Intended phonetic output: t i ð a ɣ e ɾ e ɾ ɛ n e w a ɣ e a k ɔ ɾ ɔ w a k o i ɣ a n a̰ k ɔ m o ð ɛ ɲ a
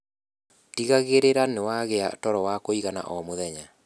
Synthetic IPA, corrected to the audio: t i ɣ a ɣ e ɾ e ɾ a n e w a ɣ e a t ɔ ɾ ɔ w a k o i ɣ a n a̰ ʔ ɔ m o ð ɛ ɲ a